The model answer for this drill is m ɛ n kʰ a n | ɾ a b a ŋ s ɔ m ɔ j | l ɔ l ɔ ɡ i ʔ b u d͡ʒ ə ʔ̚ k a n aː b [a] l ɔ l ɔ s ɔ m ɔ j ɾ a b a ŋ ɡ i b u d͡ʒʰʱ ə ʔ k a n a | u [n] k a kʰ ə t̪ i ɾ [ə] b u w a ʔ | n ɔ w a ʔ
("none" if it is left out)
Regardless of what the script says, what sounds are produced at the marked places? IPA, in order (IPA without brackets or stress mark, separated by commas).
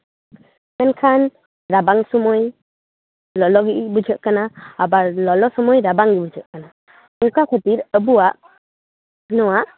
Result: a, ŋ, ə